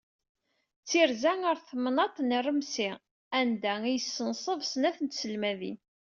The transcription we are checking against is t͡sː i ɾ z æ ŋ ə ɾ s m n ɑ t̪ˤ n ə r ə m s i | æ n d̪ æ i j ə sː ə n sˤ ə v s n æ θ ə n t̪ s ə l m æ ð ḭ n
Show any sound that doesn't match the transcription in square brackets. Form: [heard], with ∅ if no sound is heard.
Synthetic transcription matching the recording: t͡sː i ɾ z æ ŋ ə ɾ [θ] m n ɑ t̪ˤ n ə r ə m s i | æ n d̪ æ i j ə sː ə n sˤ ə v s n æ θ ə n t̪ s ə l m æ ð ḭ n